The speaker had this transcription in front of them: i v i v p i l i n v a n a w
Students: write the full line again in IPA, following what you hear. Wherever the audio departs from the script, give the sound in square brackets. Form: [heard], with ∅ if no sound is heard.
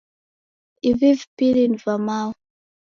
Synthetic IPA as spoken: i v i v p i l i n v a [m] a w